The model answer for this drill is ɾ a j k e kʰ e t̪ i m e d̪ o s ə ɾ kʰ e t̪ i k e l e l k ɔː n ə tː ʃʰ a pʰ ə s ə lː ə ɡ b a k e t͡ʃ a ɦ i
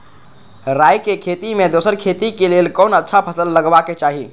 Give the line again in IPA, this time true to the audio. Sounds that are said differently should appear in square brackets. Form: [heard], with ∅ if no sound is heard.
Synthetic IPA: ɾ a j k e kʰ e t̪ i m e d̪ o s ə ɾ kʰ e t̪ i k e l e l k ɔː n ə tː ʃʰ a pʰ ə s ə lː ə ɡ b a k e t͡ʃ a ɦ i